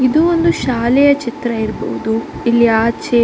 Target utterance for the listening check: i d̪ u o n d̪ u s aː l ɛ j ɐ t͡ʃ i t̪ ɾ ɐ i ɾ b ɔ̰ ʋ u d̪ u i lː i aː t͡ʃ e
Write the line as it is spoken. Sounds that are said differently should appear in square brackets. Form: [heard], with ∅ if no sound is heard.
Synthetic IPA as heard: i d̪ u o n d̪ u [ʃ] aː l ɛ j ɐ t͡ʃ i t̪ ɾ ɐ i ɾ b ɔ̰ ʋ u d̪ u i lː i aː t͡ʃ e